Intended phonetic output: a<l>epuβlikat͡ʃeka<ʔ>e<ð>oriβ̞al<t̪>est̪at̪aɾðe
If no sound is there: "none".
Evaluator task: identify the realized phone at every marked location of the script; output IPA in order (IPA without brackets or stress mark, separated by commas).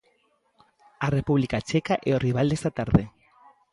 r, ʔ, none, d̪